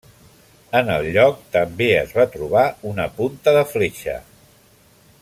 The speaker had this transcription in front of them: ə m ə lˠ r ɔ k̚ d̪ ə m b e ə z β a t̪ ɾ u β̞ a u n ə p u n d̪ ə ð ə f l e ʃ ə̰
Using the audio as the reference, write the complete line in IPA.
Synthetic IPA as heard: ə n ə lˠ ʎ ɔ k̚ t̪ ə m b e ə z β a t̪ ɾ u β̞ a u n ə p u n t̪ ə ð ə f l e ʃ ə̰